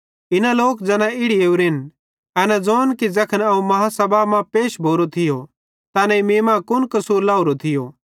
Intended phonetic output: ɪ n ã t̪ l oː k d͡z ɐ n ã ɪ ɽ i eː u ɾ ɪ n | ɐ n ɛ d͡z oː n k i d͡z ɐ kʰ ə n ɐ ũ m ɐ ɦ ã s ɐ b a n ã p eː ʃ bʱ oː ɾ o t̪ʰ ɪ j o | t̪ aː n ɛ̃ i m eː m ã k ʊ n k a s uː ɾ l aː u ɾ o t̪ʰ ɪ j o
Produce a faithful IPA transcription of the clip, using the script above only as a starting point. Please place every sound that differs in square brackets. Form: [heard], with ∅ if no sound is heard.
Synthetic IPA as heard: ɪ n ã [∅] l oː k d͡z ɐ n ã ɪ ɽ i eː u ɾ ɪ n | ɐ n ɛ d͡z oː n k i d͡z ɐ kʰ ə n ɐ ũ m ɐ ɦ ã s ɐ b a [m] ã p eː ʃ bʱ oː ɾ o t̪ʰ ɪ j o | t̪ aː n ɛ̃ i m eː m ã k ʊ n k [ɐ] s uː ɾ l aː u ɾ o t̪ʰ ɪ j o